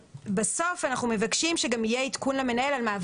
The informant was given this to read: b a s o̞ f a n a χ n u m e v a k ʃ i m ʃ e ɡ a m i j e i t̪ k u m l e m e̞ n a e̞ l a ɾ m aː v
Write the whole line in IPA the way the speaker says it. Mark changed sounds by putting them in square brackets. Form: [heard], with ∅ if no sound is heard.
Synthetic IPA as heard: b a s o̞ f a n a χ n u m e v a k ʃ i m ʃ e ɡ a m i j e i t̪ k u [n] l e m e̞ n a e̞ l a [l] m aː v